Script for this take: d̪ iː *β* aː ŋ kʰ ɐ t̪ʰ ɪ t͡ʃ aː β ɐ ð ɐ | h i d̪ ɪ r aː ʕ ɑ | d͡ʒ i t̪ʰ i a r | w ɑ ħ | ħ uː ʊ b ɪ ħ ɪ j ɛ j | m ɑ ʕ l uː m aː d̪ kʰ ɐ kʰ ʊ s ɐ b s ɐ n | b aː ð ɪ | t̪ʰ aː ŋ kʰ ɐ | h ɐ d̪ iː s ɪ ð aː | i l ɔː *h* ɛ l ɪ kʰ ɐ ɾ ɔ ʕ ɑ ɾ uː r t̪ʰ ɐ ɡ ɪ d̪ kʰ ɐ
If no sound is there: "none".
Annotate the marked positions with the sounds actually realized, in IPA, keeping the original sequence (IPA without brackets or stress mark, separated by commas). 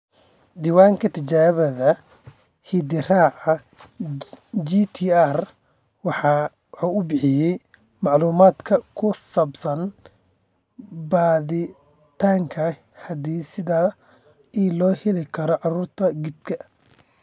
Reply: w, h